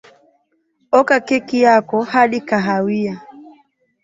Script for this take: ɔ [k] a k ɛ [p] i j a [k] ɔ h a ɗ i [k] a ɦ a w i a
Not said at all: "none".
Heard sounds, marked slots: k, k, k, k

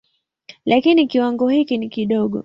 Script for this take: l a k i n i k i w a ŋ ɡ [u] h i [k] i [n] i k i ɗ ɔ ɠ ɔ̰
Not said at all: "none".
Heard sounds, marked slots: ɔ, k, n

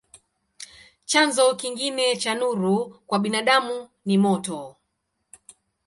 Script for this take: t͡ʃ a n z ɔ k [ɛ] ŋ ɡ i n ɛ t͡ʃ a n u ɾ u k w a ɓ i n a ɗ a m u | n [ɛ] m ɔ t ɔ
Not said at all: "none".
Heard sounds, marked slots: i, i

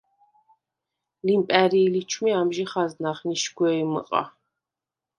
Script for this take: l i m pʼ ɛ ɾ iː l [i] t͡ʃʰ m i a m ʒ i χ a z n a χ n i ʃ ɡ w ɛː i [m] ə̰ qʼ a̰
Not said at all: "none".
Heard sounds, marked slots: i, m

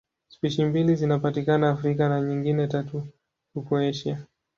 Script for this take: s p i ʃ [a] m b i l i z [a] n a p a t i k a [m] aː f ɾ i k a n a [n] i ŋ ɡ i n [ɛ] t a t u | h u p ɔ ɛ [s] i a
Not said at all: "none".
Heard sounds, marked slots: i, i, n, ɲ, ɛ, ʃ

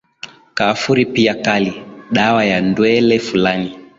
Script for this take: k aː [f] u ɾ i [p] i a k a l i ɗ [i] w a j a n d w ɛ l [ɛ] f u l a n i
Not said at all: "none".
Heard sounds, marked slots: f, p, a, ɛ

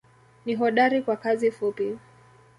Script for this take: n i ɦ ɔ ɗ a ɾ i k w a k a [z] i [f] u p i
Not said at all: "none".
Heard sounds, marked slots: z, f

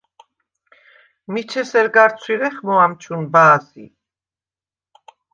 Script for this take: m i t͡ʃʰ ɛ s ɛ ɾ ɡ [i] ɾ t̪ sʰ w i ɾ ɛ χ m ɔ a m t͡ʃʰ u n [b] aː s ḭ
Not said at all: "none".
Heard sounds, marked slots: a, b

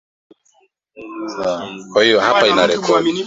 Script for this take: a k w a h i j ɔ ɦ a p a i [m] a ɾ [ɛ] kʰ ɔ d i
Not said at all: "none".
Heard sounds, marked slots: n, ɛ

